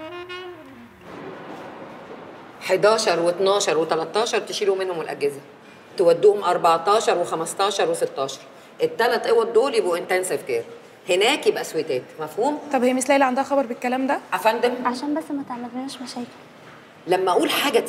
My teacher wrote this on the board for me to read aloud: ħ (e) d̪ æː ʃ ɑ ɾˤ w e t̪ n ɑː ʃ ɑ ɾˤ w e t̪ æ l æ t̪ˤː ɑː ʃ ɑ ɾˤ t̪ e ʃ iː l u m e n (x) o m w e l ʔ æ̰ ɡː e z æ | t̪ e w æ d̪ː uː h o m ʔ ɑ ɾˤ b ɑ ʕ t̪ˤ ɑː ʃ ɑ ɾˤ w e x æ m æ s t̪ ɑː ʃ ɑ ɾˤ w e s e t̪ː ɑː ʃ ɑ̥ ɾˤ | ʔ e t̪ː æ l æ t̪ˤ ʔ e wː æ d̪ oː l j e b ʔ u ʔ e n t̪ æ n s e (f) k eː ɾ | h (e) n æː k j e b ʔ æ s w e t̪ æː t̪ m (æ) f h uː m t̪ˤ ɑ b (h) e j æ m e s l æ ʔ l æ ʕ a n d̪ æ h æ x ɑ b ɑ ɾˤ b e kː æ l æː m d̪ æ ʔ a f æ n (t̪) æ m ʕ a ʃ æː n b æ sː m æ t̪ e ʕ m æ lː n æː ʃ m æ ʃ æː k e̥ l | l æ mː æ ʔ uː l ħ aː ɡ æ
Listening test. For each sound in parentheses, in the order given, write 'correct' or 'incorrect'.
correct, incorrect: h, correct, correct, correct, correct, incorrect: d̪

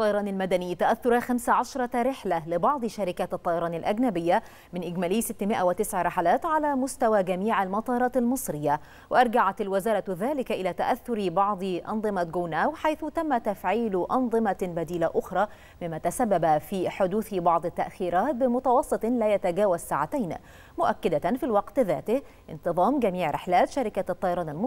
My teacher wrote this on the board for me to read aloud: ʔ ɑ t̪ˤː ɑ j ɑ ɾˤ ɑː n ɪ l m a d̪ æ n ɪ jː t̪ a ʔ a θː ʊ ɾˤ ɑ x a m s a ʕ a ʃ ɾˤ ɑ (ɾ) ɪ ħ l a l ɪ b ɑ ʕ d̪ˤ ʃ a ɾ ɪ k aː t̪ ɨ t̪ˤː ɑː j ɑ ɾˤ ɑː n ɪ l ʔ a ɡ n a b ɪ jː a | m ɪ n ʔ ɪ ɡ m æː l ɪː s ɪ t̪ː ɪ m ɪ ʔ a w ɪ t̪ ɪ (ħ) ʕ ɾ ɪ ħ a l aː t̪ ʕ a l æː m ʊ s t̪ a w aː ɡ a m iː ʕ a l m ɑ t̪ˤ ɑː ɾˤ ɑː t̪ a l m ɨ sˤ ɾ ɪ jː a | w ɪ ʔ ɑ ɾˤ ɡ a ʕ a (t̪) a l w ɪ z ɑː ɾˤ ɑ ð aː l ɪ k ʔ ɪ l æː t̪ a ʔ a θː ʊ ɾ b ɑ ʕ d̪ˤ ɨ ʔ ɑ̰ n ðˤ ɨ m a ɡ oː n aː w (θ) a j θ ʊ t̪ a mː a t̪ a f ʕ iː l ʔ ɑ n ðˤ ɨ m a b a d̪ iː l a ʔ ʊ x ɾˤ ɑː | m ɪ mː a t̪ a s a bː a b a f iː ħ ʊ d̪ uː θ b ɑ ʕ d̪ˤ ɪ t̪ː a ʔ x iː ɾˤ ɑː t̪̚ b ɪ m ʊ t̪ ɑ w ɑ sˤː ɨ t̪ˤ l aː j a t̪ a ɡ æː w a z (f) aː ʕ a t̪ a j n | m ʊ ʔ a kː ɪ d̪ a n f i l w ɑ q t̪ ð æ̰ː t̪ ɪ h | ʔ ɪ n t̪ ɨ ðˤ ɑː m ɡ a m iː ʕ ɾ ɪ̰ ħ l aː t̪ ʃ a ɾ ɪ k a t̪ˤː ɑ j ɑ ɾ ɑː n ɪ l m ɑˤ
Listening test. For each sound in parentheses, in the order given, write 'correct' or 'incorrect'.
correct, incorrect: s, correct, incorrect: ħ, incorrect: s

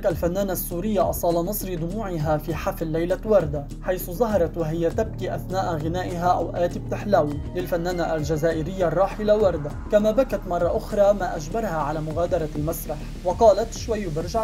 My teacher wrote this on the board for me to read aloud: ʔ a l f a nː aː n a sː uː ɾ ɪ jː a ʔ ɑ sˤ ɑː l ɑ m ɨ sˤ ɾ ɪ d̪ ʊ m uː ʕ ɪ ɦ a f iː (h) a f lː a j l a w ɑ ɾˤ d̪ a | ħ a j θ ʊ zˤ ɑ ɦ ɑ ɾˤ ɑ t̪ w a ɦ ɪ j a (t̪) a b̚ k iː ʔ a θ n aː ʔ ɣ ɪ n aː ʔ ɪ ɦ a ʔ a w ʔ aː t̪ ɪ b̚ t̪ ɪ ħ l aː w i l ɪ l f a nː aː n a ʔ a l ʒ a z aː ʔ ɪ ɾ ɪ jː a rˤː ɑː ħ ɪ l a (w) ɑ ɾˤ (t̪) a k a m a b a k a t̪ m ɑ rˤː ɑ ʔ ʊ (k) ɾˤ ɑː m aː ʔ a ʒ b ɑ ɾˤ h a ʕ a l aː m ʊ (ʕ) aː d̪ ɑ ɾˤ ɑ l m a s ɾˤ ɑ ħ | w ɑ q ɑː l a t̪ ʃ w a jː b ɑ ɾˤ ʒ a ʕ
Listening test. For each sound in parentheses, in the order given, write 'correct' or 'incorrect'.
incorrect: ħ, correct, correct, incorrect: d̪, incorrect: x, incorrect: ɣ

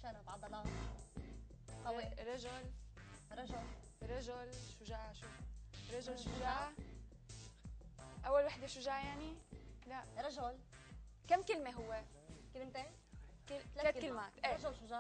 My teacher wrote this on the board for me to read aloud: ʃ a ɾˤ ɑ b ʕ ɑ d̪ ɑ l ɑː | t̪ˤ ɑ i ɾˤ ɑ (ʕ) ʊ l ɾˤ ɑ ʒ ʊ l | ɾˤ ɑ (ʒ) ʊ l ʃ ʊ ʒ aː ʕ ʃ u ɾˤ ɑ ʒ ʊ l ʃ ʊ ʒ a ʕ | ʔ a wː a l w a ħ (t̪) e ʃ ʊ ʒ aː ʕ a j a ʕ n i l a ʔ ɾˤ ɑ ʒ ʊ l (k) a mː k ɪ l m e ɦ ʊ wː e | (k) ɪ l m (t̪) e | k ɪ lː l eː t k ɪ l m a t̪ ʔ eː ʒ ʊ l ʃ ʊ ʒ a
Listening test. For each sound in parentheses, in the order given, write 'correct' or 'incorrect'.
incorrect: ʒ, correct, incorrect: d̪, correct, correct, correct

